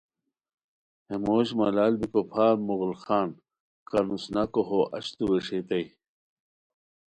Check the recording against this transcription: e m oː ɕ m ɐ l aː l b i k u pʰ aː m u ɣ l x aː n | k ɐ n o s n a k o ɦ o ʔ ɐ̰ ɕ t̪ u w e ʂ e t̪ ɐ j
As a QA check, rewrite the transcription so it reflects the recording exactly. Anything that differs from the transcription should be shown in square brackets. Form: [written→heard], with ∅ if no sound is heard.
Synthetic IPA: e m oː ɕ m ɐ l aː l b i k [u→o] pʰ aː m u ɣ l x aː n | k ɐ n [o→u] s n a k o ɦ o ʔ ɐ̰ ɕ t̪ u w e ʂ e t̪ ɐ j